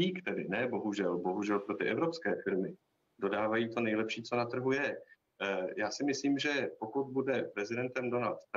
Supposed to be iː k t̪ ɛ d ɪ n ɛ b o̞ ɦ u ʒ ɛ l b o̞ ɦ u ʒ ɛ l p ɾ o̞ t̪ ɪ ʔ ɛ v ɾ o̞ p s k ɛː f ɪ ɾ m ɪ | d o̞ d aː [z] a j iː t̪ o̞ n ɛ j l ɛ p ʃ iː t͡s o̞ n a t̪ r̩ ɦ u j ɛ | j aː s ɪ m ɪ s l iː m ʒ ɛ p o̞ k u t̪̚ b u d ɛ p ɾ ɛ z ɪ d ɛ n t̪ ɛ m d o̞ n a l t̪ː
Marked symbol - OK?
no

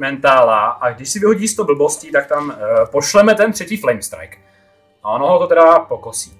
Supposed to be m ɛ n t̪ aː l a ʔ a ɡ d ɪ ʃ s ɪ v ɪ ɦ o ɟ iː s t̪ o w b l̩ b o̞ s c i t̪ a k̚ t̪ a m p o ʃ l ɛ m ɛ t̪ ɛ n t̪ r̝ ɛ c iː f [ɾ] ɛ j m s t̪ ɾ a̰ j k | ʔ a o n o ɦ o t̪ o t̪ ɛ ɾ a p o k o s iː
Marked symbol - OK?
no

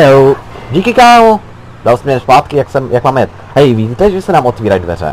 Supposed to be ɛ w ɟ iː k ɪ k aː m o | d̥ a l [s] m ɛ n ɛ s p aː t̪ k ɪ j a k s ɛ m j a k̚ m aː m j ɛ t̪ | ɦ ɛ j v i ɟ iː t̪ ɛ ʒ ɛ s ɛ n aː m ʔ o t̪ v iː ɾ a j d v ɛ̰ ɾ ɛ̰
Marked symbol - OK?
yes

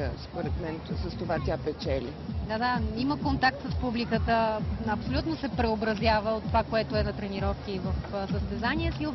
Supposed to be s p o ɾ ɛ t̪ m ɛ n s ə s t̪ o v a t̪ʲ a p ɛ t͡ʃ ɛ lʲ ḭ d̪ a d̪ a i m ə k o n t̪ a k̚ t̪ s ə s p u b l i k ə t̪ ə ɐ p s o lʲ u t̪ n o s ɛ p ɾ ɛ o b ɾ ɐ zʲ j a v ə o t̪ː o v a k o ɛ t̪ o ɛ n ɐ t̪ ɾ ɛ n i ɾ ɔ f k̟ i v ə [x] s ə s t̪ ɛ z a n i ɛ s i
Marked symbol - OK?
no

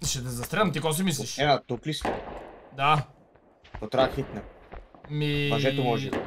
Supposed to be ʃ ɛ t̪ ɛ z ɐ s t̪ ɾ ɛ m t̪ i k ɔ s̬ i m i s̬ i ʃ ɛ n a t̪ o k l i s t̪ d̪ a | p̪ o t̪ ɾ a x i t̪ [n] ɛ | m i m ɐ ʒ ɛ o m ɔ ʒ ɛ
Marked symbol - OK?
yes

